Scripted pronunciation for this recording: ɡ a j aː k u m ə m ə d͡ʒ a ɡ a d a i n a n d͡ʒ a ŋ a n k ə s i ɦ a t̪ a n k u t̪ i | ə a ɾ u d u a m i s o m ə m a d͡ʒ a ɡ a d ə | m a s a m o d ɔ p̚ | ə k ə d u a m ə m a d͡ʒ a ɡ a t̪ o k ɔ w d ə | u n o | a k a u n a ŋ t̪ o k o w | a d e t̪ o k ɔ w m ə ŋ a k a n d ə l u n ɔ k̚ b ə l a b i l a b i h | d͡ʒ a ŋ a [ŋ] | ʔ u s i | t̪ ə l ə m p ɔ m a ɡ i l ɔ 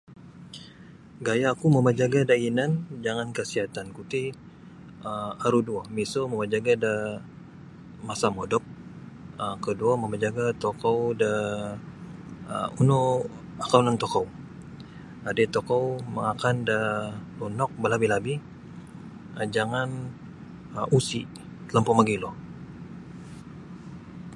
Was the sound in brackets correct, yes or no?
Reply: no